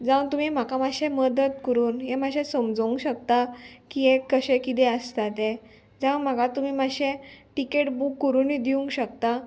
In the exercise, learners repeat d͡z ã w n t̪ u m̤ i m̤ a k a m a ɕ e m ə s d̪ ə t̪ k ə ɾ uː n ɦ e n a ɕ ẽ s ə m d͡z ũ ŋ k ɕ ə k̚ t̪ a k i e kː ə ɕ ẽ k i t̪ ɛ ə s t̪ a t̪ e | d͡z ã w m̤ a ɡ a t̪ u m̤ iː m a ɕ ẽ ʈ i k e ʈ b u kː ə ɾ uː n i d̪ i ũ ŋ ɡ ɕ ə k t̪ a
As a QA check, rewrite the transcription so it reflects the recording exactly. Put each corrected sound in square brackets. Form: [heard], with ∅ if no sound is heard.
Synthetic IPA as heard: d͡z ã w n t̪ u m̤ i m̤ a k a m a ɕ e m ə [∅] d̪ ə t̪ k ə ɾ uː n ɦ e [m] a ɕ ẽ s ə m d͡z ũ ŋ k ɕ ə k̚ t̪ a k i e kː ə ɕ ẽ k i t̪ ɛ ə s t̪ a t̪ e | d͡z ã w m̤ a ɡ a t̪ u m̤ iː m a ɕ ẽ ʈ i k e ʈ b u kː ə ɾ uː n i d̪ i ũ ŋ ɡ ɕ ə k t̪ a